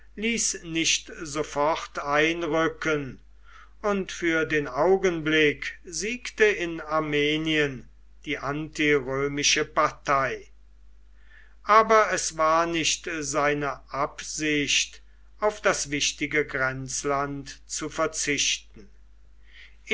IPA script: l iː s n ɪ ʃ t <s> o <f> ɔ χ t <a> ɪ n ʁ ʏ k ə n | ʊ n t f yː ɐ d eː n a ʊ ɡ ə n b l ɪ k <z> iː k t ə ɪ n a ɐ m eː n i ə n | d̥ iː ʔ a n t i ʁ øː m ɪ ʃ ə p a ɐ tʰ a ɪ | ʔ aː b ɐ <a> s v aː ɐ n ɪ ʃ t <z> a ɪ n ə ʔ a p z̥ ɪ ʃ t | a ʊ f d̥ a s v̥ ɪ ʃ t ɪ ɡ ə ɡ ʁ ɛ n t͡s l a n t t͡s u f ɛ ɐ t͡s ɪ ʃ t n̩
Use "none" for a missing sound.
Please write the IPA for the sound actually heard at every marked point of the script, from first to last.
z, f, a, z, ɛ, z

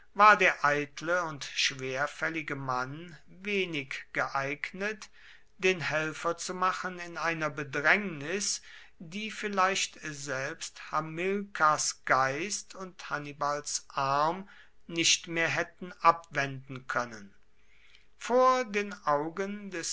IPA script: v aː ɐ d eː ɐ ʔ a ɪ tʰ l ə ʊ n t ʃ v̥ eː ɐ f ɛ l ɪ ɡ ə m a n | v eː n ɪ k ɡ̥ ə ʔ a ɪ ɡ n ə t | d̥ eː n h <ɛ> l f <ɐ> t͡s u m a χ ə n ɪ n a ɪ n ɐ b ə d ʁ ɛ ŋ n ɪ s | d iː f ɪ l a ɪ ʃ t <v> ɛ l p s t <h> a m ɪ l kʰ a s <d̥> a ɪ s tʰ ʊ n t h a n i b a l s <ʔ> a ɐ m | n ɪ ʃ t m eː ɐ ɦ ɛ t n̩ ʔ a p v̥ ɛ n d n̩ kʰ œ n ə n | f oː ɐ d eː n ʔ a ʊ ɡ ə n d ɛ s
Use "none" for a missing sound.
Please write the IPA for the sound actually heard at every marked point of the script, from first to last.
ɛ, ɐ, z, h, ɡ̥, ʔ

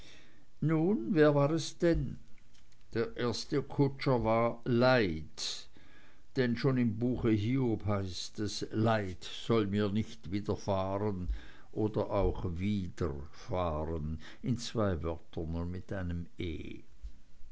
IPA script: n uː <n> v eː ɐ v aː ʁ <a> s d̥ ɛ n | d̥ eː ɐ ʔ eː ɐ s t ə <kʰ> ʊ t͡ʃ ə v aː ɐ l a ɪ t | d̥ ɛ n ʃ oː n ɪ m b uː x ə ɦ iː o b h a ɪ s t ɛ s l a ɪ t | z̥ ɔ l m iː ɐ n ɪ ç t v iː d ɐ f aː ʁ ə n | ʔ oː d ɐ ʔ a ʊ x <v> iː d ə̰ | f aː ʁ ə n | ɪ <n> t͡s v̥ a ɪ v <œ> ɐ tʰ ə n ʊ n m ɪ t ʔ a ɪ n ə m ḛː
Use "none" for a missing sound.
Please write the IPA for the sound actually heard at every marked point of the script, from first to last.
n, ɛ, kʰ, v, n, œ

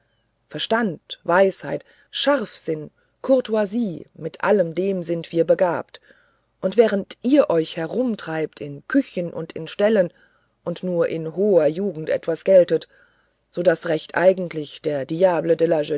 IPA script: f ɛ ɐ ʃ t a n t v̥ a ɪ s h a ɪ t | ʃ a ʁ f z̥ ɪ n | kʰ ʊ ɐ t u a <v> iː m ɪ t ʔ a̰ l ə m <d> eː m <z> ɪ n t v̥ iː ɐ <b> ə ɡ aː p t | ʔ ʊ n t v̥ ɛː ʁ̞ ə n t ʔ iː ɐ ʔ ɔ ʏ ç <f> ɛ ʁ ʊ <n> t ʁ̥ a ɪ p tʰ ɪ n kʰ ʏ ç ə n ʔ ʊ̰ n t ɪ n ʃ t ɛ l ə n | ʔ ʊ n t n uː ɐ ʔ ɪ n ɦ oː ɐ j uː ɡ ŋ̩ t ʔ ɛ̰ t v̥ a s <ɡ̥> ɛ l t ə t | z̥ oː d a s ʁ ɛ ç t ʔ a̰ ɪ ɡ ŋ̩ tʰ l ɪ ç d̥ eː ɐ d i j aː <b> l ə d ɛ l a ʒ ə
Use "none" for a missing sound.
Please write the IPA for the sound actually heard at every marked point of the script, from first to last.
z, d, z, b, h, m, ɡ̥, b

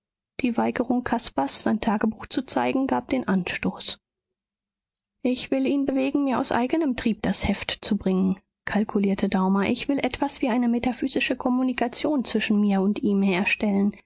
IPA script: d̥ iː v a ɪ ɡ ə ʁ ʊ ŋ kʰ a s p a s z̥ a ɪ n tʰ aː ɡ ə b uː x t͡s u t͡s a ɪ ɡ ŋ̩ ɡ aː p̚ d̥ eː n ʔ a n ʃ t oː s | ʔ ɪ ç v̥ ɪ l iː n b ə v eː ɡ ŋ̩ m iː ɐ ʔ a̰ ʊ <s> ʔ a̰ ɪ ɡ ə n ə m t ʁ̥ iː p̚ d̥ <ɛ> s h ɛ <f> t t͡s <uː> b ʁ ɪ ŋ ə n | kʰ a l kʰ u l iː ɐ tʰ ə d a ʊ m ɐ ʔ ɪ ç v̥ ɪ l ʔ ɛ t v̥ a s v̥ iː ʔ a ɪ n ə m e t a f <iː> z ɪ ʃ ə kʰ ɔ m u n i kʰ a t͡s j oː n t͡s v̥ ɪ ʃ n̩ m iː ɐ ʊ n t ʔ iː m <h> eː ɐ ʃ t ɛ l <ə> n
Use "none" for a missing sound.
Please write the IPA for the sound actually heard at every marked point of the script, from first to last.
s, a, f, u, yː, h, ə

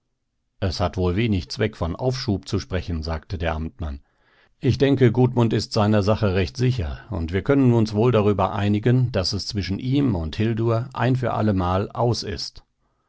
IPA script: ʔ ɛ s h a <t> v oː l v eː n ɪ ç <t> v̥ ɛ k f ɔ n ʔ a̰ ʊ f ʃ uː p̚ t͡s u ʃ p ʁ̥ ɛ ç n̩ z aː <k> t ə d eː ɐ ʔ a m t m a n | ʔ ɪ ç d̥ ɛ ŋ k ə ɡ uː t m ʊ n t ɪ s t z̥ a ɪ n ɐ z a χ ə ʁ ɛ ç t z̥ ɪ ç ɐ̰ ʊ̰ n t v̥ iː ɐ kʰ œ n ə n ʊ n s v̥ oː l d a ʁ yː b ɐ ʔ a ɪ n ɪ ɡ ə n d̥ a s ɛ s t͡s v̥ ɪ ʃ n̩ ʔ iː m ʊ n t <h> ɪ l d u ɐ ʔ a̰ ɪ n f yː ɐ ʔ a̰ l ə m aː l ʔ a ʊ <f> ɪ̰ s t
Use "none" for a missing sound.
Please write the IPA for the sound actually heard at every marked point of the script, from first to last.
t, t͡s, k, h, s

